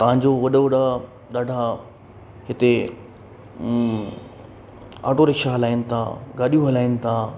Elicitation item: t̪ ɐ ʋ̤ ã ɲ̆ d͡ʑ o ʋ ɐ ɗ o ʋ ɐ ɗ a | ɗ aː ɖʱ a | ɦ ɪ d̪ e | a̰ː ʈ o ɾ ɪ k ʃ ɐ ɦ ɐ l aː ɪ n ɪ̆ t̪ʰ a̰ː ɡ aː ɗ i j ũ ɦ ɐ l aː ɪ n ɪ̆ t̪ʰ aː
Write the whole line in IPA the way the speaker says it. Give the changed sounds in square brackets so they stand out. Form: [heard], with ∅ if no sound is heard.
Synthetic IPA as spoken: t̪ ɐ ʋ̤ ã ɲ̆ d͡ʑ o ʋ ɐ ɗ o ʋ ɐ ɗ a | ɗ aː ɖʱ a | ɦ ɪ [t̪] e | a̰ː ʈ o ɾ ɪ k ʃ [a] ɦ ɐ l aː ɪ n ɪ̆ t̪ʰ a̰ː ɡ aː ɗ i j ũ ɦ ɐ l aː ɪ n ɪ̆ t̪ʰ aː